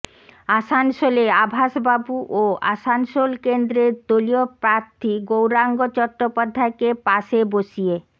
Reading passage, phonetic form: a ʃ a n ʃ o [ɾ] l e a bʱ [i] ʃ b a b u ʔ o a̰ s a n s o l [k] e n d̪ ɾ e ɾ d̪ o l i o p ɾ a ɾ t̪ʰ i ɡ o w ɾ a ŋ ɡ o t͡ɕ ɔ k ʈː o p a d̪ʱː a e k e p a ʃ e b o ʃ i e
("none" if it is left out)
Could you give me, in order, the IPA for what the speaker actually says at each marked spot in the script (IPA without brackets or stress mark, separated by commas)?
none, a, k